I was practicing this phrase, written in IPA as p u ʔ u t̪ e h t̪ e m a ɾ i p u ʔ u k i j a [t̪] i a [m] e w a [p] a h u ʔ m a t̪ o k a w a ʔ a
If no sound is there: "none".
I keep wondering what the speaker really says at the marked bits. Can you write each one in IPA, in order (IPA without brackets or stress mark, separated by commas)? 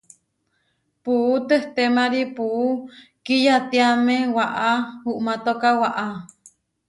t̪, m, ʔ